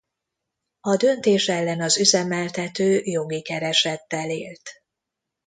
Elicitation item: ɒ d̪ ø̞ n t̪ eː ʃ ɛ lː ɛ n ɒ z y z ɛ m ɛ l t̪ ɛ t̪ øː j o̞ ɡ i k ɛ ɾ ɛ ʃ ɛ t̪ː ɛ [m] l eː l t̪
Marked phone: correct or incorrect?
incorrect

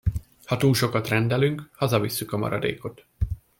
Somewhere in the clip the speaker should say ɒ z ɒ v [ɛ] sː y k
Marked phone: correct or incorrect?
incorrect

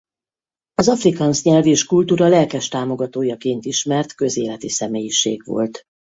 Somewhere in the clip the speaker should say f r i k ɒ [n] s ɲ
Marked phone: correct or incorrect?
correct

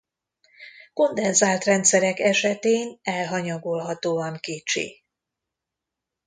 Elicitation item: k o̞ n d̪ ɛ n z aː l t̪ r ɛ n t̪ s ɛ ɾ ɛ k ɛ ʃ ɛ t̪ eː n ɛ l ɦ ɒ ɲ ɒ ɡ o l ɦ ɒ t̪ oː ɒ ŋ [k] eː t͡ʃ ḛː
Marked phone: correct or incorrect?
correct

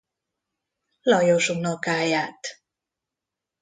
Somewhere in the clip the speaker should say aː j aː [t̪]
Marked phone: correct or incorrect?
correct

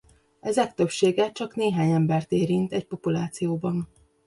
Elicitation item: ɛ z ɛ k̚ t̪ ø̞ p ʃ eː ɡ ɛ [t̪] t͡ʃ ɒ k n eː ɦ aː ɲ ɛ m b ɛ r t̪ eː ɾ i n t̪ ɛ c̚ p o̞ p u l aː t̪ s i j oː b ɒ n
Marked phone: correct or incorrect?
incorrect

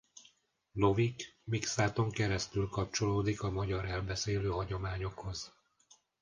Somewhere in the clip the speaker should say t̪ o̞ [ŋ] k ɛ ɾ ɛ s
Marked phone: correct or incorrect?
correct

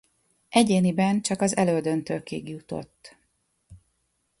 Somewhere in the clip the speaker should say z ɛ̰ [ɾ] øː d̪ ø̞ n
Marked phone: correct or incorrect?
incorrect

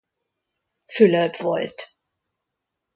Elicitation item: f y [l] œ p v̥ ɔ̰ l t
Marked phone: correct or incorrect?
correct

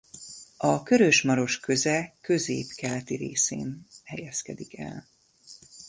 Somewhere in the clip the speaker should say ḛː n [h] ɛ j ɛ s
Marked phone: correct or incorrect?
correct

